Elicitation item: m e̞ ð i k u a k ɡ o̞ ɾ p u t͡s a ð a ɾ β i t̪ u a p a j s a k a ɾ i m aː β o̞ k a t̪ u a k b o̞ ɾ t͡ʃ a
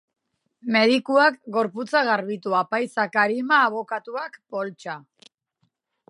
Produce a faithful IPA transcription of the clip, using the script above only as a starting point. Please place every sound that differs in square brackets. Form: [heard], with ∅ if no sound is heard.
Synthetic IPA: m e̞ ð i k u a k ɡ o̞ ɾ p u t͡s a [ɣ] a ɾ β i t̪ u a p a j s a k a ɾ i m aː β o̞ k a t̪ u a k [p] o̞ [l] t͡ʃ a